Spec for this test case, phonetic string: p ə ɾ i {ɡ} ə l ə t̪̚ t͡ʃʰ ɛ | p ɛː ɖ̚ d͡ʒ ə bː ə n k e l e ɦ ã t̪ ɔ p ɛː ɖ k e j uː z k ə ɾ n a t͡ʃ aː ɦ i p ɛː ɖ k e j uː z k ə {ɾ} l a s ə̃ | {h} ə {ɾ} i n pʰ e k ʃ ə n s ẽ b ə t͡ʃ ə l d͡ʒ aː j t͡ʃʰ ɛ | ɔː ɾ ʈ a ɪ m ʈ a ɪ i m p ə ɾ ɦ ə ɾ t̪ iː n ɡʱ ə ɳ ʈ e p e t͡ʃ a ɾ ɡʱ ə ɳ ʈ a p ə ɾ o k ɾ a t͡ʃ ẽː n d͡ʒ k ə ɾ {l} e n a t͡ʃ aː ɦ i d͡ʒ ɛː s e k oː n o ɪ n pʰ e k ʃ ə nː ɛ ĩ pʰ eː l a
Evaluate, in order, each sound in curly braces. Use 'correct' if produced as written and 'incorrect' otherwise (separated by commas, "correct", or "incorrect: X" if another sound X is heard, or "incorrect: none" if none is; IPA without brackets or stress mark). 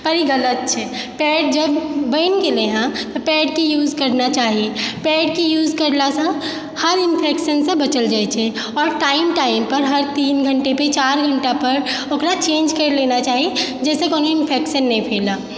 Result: correct, correct, correct, correct, correct